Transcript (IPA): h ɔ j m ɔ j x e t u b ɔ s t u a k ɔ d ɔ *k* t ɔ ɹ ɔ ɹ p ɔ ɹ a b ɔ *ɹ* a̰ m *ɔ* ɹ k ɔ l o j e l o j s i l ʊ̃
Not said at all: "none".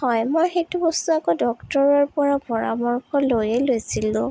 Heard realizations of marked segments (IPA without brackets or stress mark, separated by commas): k, ɹ, ɔ